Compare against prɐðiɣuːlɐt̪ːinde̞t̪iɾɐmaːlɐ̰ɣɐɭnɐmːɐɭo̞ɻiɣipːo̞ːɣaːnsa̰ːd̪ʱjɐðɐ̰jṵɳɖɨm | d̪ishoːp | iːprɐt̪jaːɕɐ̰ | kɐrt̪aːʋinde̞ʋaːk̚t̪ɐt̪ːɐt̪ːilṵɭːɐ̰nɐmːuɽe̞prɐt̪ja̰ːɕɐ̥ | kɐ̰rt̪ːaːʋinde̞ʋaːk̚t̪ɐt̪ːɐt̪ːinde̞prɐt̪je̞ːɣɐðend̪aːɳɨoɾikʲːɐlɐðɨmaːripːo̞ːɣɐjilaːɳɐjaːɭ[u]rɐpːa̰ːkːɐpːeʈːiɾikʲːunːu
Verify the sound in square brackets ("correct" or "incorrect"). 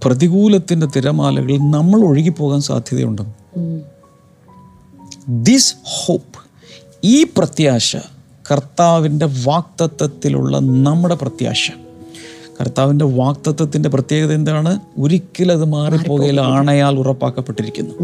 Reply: correct